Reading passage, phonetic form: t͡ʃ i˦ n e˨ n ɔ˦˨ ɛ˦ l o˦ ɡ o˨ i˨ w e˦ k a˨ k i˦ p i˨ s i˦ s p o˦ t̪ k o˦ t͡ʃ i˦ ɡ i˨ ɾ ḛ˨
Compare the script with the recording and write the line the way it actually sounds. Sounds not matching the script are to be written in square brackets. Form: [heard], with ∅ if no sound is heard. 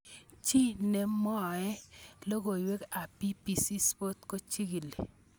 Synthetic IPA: t͡ʃ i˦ n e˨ [m] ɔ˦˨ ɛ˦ l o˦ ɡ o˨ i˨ w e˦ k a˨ [p] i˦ p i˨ s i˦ s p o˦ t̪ k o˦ t͡ʃ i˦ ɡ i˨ [l] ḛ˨